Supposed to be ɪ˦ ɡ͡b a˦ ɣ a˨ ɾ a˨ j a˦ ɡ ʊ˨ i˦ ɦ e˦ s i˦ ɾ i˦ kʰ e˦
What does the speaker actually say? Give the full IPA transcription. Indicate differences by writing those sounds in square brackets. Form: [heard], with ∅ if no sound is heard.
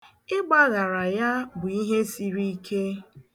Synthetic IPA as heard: ɪ˦ ɡ͡b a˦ ɣ a˨ ɾ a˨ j a˦ [b] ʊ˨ i˦ ɦ e˦ s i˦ ɾ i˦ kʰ e˦